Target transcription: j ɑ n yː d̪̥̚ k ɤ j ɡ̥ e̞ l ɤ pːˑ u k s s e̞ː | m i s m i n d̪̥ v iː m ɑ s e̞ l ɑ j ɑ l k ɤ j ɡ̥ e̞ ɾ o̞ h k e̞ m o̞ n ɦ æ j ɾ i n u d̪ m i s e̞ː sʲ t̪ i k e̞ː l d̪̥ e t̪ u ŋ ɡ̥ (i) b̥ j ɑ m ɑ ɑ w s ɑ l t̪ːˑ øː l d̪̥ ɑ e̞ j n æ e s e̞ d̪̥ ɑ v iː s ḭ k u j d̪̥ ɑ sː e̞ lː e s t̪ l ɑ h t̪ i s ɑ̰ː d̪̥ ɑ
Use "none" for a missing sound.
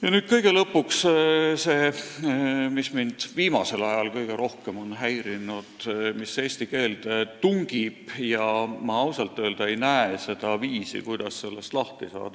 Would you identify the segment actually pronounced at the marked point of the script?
i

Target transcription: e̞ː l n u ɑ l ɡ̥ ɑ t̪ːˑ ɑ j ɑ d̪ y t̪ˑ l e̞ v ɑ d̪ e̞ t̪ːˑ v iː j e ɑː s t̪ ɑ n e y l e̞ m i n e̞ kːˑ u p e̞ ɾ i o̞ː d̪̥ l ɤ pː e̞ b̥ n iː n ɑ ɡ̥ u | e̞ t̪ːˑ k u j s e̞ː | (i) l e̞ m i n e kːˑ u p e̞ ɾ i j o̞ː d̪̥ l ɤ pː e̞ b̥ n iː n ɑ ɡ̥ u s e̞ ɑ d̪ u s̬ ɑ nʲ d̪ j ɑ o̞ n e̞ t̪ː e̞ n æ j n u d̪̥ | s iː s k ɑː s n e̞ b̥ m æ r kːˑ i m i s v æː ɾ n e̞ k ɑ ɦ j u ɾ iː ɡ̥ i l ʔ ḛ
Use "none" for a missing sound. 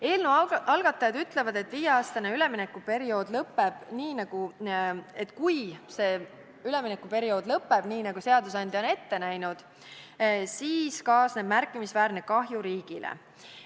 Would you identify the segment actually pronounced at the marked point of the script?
y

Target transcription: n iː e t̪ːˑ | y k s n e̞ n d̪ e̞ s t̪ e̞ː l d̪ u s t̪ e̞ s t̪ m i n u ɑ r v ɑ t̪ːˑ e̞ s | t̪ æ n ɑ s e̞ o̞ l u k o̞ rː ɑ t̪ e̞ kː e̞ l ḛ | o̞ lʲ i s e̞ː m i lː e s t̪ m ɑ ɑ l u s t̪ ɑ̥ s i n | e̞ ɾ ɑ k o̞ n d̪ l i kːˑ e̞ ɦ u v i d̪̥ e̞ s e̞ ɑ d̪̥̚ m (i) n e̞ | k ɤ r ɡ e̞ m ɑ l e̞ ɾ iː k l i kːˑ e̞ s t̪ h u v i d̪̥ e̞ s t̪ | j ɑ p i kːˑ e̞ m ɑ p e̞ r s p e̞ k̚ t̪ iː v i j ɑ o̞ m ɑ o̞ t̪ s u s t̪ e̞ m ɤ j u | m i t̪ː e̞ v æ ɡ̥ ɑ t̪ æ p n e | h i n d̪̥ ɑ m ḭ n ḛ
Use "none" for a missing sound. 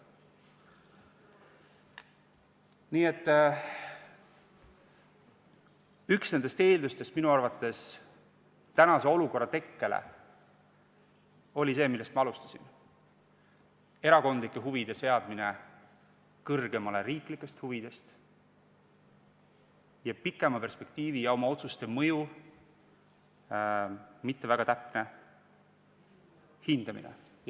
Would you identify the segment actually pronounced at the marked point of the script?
i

